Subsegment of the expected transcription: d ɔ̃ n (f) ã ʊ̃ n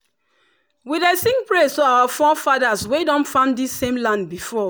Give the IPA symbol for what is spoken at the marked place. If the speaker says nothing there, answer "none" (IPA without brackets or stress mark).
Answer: f